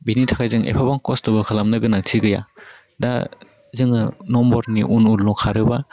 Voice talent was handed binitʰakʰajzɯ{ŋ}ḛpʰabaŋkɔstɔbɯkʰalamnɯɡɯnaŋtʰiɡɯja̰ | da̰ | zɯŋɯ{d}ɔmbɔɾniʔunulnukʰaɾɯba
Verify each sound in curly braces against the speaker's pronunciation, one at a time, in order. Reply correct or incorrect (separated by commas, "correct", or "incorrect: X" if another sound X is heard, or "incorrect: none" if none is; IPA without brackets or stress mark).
correct, incorrect: n